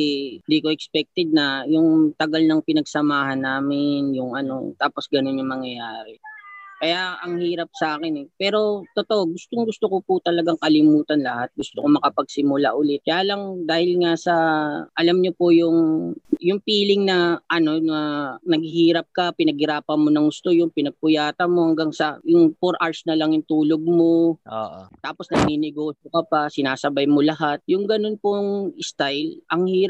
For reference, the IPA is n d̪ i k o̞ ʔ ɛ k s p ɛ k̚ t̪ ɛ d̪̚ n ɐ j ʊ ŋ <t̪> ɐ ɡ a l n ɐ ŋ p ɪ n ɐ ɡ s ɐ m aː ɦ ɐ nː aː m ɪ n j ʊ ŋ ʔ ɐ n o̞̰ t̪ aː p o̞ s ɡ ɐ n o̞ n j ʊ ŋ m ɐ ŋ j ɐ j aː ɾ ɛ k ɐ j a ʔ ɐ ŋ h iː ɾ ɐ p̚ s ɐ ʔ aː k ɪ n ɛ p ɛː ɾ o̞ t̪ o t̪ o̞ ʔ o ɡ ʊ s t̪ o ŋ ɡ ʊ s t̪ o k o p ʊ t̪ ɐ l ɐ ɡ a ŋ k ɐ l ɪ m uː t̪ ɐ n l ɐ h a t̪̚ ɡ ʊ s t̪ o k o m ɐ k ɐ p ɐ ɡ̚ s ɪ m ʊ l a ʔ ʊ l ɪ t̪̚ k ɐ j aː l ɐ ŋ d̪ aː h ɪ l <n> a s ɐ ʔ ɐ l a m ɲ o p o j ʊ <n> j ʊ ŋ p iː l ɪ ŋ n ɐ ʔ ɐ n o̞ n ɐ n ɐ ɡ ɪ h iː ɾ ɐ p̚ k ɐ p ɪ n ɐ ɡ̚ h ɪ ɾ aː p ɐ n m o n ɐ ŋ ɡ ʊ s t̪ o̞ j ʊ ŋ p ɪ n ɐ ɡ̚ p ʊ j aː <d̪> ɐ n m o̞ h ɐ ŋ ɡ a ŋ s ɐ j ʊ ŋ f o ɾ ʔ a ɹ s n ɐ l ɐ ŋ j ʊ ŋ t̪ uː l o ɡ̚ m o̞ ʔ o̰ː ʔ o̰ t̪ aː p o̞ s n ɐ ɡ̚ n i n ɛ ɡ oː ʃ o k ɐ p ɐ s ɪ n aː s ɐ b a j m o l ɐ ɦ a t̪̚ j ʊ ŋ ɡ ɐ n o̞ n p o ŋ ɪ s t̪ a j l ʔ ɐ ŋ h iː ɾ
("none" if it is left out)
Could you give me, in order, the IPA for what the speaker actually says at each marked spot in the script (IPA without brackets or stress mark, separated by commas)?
t̪, ŋ, ŋ, t̪